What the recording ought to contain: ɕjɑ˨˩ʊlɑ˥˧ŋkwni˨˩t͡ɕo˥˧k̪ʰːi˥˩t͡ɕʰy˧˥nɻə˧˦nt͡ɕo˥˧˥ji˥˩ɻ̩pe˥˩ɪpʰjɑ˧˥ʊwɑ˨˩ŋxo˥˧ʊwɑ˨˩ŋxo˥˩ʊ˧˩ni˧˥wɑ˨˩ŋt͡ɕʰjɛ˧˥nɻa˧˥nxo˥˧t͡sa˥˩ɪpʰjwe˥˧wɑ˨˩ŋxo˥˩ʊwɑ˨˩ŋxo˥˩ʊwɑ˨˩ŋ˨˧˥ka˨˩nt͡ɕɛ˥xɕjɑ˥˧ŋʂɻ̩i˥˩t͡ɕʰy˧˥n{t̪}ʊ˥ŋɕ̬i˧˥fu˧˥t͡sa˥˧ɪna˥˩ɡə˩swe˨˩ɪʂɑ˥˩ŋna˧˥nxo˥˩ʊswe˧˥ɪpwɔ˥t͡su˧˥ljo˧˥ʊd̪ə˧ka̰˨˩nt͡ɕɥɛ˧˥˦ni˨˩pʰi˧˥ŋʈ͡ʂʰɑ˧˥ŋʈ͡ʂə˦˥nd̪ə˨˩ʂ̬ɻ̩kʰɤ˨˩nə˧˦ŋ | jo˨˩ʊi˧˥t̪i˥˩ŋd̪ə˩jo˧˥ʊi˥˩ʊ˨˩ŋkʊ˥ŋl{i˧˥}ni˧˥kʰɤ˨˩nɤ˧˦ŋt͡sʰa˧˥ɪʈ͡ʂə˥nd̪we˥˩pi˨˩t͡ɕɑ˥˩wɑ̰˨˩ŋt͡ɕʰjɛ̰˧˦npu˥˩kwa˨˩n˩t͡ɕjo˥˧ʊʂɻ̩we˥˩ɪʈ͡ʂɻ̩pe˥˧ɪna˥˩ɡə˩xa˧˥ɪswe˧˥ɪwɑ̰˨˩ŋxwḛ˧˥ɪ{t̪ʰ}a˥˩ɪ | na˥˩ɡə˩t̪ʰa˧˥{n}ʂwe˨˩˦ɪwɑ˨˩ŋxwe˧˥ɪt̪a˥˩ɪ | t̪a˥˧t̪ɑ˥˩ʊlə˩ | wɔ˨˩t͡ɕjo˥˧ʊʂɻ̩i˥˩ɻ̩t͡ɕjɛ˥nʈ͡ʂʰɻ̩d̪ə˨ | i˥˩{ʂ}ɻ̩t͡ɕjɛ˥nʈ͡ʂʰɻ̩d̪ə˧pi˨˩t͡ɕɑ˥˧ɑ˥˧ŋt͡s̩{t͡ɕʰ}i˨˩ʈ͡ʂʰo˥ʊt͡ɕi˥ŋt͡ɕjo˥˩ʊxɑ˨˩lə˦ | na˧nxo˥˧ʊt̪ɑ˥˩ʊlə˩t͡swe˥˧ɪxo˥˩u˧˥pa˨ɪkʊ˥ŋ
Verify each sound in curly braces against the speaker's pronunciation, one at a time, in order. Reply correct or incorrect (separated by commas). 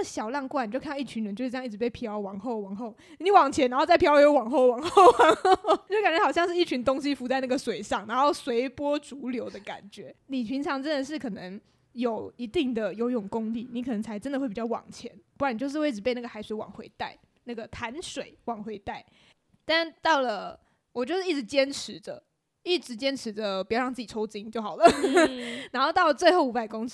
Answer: correct, incorrect, incorrect, correct, incorrect, incorrect